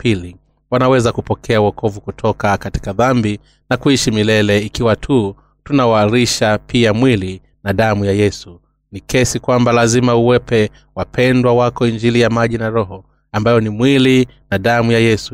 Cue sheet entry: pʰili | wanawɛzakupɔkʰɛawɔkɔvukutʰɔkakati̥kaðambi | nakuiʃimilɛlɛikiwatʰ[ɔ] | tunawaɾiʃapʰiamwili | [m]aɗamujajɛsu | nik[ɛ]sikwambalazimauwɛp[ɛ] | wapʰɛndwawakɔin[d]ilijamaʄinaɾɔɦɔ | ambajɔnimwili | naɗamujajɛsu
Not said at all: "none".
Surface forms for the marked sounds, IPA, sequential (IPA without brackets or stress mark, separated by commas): u, n, ɛ, ɛ, d͡ʒ